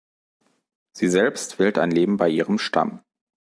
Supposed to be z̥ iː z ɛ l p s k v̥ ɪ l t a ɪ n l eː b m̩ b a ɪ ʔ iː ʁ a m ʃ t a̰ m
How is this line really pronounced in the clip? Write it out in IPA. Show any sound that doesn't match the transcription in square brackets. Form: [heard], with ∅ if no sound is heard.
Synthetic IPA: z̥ iː z ɛ l p s [t] v̥ ɪ l t a ɪ n l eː b m̩ b a ɪ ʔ iː ʁ [ə] m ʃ t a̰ m